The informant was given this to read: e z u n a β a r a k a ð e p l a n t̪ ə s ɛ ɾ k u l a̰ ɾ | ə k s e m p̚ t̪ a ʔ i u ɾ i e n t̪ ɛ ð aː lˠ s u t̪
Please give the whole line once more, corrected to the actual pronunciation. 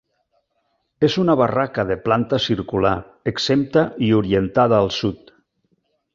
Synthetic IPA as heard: e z u n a β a r a k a ð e p l a n t̪ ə s i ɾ k u l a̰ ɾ | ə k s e m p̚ t̪ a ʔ i u ɾ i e n t̪ a ð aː lˠ s u t̪